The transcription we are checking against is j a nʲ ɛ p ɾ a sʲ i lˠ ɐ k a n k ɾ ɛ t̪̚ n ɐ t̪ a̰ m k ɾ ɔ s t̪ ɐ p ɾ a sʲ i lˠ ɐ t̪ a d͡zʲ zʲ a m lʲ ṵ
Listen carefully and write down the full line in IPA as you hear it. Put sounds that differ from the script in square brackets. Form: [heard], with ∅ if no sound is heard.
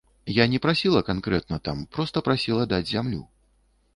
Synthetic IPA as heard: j a nʲ ɛ p ɾ a sʲ i lˠ ɐ k a n k ɾ ɛ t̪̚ n ɐ t̪ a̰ m [p] ɾ ɔ s t̪ ɐ p ɾ a sʲ i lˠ ɐ [d̪] a d͡zʲ zʲ a m lʲ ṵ